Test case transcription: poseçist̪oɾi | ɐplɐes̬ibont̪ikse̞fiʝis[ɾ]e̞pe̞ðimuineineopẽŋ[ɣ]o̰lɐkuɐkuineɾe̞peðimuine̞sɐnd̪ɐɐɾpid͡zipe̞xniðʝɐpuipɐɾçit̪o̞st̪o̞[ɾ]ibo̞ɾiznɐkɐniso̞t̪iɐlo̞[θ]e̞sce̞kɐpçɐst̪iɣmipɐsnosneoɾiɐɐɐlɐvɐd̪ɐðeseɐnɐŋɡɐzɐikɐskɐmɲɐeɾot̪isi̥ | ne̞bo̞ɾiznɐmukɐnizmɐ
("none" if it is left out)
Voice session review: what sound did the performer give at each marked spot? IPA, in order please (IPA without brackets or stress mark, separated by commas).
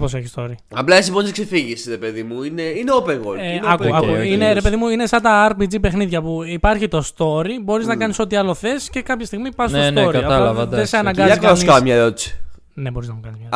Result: ɾ, ɣ, ɾ, θ